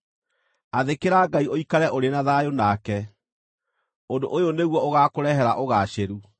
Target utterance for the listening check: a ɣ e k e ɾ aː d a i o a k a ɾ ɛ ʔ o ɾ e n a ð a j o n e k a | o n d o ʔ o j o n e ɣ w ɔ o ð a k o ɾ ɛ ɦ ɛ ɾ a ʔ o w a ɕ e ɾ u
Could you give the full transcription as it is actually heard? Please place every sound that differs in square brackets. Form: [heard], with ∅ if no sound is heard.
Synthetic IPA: a [ð] e k e ɾ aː [ɡ] a i o [i] k a ɾ ɛ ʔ o ɾ e n a ð a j o n [a] k [ɛ] | o n d o ʔ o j o n e ɣ w ɔ o [ɣ] a k o ɾ ɛ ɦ ɛ ɾ a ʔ o [ɣ] a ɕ e ɾ u

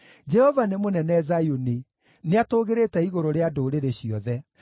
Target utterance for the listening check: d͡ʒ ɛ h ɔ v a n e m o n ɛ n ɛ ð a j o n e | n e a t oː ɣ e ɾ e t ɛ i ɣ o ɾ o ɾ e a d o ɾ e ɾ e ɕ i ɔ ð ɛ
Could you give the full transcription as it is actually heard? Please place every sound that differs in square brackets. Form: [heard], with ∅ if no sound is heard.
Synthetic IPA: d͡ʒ ɛ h ɔ v a n e m o n ɛ n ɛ [z] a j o n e | n e a t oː ɣ e ɾ e t ɛ i ɣ o ɾ o ɾ e a d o ɾ e ɾ e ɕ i ɔ ð ɛ

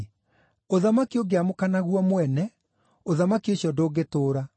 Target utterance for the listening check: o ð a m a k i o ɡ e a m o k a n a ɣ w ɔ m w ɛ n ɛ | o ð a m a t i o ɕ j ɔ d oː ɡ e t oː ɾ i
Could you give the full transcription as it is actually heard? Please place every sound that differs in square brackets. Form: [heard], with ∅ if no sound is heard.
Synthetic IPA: o ð a m a k i o ɡ e a m o k a n a ɣ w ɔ m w ɛ n ɛ | o ð a m a [k] i o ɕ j ɔ d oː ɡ e t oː ɾ [a]

